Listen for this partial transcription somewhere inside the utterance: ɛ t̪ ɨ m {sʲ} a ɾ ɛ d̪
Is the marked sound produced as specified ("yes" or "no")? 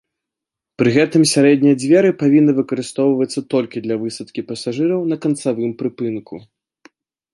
yes